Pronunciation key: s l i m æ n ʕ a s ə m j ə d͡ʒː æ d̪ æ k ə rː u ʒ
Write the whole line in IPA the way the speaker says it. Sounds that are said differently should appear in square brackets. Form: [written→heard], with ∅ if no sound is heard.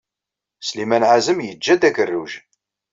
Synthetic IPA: s l i m æ n ʕ a [s→z] ə m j ə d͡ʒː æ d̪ æ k ə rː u ʒ